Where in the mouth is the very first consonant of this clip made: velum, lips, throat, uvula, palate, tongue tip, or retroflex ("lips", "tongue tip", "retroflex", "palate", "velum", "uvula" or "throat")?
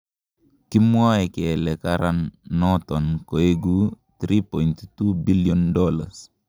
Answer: velum